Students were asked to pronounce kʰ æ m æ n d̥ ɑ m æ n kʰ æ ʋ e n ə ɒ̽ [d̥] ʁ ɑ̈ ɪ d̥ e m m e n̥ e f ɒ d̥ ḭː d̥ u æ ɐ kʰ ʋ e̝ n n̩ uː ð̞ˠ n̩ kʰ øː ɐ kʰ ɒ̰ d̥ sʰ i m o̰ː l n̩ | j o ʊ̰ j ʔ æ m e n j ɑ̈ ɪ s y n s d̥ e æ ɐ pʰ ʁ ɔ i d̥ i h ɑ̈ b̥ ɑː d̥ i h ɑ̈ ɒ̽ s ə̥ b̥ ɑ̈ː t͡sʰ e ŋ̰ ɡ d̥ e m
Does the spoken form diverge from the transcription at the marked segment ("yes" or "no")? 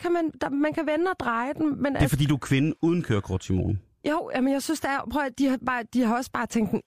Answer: no